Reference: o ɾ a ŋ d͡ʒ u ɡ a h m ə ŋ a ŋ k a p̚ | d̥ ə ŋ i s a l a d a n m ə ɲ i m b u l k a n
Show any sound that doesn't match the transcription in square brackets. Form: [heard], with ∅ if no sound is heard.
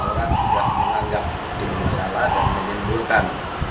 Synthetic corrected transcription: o ɾ a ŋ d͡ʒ u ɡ a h m ə ŋ a ŋ [ɡ] a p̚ | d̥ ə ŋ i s a l a d a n m ə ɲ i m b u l k a n